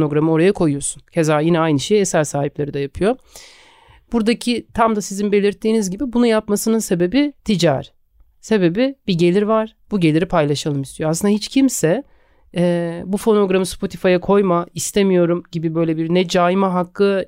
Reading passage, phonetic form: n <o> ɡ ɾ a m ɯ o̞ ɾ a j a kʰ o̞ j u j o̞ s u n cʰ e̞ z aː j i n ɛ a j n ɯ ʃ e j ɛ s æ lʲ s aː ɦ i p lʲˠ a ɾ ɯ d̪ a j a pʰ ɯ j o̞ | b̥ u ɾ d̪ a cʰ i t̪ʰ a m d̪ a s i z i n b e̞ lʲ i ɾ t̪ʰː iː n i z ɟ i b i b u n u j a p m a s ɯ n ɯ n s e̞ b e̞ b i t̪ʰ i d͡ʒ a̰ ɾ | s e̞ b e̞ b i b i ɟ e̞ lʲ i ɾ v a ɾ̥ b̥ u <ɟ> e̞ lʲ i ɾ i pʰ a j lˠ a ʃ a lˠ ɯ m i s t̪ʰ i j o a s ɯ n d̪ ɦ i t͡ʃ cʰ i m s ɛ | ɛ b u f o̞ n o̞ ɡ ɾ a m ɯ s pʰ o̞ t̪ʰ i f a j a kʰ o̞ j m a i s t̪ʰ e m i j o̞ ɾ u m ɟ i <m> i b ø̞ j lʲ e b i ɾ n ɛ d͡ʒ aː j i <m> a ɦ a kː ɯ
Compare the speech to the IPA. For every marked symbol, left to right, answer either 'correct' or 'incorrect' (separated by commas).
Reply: correct, correct, incorrect, correct